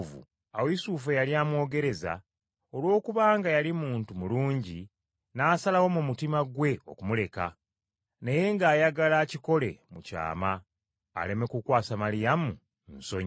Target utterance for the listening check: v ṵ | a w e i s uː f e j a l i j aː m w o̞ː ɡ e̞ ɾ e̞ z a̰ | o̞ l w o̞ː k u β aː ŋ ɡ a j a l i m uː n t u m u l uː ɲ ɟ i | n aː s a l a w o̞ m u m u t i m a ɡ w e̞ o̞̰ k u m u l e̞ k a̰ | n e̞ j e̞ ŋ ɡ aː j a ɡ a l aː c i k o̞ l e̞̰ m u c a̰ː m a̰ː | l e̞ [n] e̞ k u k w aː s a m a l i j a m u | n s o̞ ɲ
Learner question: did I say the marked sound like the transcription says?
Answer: no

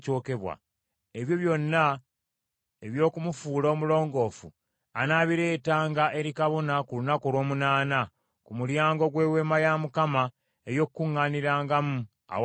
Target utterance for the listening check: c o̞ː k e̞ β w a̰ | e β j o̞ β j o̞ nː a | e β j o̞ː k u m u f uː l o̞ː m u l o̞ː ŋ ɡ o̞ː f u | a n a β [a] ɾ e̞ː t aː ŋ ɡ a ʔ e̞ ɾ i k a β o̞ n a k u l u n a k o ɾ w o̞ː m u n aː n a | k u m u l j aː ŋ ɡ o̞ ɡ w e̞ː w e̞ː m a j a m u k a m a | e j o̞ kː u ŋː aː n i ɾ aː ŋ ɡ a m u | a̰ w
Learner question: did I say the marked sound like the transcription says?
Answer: no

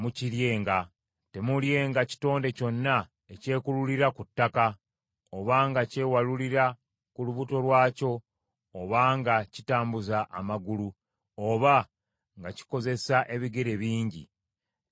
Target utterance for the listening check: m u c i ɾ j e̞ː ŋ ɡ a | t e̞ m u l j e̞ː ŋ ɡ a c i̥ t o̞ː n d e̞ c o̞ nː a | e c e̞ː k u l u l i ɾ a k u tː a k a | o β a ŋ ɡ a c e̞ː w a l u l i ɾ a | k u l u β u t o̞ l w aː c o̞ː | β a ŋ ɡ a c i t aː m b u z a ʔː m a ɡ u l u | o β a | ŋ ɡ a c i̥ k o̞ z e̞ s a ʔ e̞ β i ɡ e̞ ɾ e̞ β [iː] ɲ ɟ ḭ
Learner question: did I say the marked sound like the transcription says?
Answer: yes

